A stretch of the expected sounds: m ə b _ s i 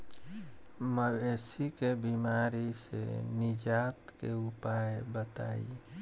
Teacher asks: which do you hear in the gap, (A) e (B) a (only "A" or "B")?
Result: A